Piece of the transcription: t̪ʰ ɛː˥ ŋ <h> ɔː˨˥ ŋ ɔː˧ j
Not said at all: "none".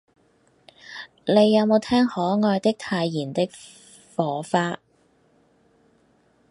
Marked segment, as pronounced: h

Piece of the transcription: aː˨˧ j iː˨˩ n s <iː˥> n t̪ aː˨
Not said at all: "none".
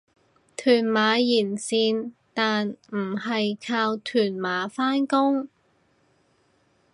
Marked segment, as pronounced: iː˧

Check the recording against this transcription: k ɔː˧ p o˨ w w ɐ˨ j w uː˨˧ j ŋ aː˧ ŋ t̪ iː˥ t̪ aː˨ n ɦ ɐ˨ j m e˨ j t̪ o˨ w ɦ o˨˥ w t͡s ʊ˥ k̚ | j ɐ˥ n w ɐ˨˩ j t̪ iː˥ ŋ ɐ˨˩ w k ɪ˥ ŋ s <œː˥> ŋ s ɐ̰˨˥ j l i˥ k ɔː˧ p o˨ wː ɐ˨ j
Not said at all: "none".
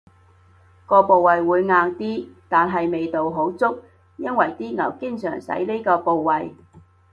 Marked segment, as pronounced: œː˨˩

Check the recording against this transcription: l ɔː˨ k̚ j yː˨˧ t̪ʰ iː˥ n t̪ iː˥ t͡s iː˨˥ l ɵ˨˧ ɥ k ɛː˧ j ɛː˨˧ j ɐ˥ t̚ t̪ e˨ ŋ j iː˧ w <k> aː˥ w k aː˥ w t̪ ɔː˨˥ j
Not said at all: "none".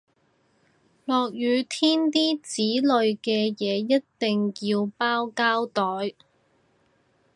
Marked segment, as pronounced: p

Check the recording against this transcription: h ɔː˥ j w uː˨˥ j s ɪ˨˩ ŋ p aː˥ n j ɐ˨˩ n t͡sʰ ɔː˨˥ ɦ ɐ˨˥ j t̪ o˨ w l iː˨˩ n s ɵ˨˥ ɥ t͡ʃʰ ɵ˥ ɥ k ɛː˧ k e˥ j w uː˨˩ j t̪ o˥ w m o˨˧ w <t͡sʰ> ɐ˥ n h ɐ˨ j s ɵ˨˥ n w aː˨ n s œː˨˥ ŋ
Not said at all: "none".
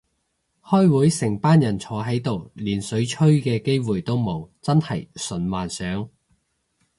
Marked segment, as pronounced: t͡s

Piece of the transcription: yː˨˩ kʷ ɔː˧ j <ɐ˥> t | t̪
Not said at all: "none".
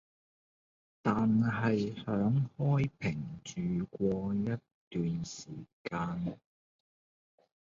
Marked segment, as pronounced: ɐ˥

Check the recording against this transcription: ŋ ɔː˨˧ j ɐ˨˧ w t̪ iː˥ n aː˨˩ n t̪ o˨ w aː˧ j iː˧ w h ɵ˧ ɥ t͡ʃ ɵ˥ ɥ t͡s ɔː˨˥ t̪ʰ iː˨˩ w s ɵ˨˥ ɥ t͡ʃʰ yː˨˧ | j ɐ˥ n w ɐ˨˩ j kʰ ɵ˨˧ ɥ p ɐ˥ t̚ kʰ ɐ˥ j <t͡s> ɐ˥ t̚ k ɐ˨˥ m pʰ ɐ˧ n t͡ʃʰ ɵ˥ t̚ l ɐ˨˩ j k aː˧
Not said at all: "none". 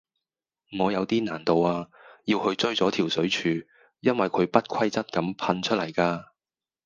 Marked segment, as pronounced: t͡s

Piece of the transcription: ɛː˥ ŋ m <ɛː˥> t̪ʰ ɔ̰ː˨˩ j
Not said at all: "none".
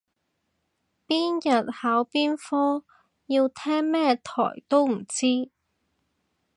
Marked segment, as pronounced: ɛː˥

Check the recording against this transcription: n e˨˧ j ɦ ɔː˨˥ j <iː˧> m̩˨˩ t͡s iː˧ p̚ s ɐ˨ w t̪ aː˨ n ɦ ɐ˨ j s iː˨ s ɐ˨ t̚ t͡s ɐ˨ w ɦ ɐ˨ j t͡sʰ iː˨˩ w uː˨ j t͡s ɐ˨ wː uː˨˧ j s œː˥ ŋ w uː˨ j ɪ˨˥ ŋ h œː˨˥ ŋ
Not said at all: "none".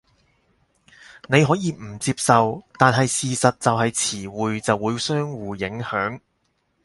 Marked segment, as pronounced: iː˧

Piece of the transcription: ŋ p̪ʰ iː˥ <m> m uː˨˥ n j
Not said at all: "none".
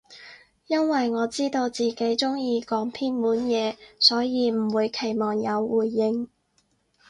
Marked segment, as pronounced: n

